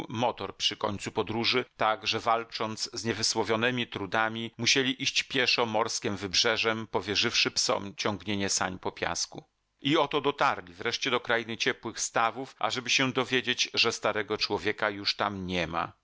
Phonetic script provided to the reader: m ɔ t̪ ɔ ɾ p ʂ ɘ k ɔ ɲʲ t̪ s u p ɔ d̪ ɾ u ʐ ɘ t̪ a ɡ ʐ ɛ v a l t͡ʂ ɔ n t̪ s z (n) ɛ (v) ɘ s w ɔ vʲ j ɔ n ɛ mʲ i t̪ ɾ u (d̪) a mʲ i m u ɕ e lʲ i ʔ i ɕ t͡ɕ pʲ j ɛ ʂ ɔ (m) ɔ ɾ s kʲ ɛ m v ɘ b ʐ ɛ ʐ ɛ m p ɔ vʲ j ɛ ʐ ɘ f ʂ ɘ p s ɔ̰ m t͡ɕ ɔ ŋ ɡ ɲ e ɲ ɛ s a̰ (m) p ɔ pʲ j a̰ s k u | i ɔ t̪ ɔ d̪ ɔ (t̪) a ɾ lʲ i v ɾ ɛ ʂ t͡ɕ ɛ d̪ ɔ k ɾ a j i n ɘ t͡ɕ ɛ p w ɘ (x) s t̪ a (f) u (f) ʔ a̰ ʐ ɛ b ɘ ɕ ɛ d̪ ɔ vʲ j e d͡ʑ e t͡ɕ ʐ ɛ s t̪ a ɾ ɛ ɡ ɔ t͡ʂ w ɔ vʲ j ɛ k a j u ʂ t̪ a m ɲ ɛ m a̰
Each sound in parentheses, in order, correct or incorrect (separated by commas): incorrect, correct, correct, correct, incorrect, correct, correct, incorrect, correct